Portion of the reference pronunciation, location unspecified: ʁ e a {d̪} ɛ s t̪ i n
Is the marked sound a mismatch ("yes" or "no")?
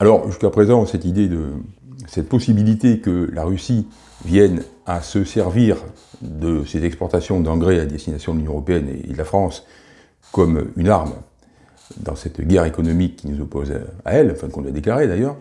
no